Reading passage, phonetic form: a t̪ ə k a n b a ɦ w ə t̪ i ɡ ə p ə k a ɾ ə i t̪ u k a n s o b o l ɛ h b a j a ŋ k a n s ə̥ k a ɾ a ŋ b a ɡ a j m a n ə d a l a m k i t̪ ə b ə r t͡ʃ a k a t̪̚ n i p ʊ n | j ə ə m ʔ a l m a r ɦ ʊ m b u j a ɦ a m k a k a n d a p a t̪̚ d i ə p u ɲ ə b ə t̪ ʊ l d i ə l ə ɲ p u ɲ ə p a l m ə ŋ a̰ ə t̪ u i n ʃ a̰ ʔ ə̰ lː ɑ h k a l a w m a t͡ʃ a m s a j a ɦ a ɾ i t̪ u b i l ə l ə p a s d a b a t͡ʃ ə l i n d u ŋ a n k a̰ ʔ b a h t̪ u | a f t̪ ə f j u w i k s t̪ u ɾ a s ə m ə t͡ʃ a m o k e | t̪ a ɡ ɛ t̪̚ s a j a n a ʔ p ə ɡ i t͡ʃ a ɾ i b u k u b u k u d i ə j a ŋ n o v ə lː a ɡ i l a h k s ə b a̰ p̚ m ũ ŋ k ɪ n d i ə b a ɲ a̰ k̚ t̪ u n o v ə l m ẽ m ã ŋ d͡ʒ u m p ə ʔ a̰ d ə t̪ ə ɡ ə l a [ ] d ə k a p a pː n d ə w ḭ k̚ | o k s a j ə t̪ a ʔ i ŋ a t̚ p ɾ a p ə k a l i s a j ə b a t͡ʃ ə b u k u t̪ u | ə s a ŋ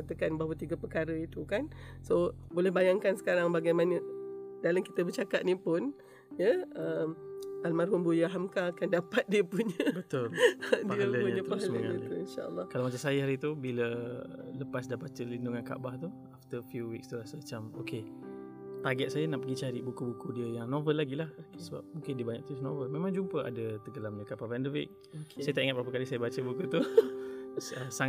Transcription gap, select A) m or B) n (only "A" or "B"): A